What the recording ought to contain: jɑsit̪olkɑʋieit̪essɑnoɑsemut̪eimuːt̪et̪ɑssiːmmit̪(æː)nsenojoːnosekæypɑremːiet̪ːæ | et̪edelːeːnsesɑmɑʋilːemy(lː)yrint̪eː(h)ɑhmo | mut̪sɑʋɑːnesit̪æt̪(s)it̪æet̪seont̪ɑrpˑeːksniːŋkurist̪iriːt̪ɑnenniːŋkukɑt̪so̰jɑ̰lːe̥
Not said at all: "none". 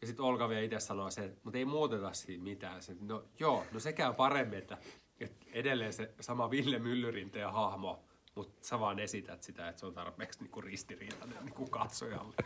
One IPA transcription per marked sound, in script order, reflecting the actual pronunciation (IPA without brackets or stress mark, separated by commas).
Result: æː, lː, h, s